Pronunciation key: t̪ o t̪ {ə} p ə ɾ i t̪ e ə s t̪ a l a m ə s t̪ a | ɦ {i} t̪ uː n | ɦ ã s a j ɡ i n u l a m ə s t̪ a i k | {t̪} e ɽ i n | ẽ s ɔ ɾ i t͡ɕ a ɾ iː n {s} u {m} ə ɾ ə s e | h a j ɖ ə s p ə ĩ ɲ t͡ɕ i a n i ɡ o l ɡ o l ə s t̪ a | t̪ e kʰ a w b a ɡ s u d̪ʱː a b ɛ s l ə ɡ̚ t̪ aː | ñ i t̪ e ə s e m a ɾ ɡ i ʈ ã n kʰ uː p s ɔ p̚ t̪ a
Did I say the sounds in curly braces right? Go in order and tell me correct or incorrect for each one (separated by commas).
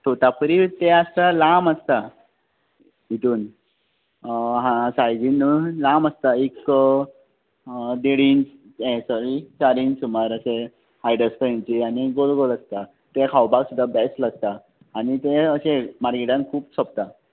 incorrect, correct, incorrect, correct, correct